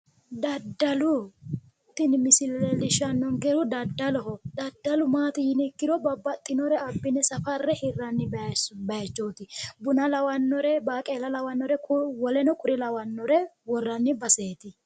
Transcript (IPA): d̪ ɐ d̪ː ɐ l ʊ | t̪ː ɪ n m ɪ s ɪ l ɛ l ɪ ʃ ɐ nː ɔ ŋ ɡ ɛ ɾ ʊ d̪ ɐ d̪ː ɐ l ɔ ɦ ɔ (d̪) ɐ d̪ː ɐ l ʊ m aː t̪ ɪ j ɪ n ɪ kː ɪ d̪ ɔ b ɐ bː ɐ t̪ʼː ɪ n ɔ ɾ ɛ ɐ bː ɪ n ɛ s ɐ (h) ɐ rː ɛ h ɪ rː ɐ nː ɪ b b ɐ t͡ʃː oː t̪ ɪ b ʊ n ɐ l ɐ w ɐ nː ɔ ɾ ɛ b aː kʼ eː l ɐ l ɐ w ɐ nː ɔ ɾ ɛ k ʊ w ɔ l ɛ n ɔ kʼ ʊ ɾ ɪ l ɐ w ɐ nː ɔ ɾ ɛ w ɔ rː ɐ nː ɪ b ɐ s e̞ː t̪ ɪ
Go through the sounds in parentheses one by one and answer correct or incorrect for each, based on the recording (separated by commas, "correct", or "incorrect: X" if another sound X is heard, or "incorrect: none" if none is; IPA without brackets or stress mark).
correct, incorrect: f